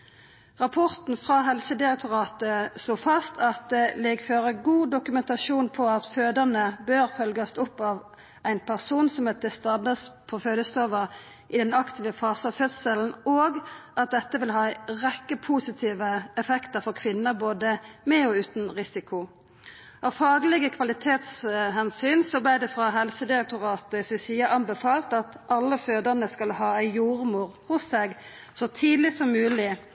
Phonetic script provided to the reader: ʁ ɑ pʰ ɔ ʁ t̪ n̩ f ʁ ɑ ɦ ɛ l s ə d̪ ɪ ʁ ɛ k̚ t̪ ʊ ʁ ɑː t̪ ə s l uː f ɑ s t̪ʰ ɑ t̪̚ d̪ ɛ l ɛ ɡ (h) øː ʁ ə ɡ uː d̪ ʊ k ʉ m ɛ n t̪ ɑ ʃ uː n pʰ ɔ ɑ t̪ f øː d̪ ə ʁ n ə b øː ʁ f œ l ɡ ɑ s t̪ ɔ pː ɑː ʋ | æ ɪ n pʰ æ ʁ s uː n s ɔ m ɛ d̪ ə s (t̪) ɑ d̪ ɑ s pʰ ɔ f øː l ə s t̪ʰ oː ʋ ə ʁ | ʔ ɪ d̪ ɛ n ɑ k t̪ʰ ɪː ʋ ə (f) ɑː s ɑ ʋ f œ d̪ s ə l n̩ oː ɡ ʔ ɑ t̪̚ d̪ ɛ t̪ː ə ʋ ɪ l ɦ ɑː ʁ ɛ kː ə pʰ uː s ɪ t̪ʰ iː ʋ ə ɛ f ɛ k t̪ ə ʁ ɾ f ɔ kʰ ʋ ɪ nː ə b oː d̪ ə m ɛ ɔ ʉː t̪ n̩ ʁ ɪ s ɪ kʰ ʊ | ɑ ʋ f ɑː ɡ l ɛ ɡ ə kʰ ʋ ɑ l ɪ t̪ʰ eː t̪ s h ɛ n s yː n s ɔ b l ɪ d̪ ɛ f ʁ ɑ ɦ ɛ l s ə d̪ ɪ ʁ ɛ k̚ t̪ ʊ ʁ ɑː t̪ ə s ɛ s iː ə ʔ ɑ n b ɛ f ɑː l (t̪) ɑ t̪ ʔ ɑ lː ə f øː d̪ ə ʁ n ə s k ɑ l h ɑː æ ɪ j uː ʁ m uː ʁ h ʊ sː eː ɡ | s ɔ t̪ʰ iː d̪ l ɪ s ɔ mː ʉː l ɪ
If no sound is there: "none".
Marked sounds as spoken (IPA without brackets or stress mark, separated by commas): f, t̪, f, t̪